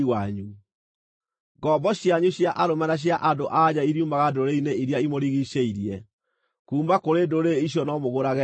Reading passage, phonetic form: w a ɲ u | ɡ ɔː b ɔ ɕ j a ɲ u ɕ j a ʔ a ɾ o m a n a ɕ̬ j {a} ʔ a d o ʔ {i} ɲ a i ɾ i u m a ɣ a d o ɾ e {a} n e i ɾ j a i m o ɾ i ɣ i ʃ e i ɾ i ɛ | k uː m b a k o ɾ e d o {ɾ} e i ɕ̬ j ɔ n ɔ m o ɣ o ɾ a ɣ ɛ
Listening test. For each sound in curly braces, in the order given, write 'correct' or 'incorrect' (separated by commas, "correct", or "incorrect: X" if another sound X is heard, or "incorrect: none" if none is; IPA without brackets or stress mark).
correct, incorrect: a, incorrect: i, correct